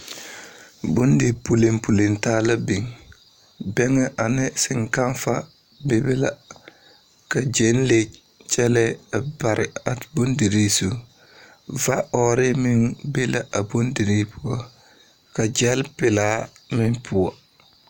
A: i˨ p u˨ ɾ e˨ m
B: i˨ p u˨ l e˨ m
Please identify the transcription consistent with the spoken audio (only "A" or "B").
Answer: B